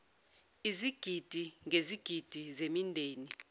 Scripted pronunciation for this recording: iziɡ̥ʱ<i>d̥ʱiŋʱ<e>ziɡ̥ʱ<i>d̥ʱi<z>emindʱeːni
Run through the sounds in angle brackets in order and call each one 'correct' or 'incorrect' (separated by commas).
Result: correct, correct, correct, correct